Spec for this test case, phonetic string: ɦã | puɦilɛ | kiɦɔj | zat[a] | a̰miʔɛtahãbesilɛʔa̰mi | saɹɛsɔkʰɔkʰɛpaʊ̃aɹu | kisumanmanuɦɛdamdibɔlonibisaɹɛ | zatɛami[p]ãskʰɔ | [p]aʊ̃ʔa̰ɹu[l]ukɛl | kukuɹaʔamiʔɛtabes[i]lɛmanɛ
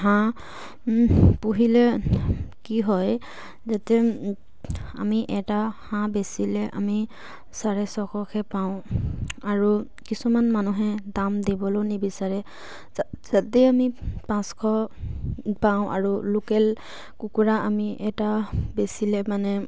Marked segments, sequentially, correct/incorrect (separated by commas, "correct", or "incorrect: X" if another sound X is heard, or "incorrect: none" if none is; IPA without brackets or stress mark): incorrect: ɛ, correct, correct, correct, correct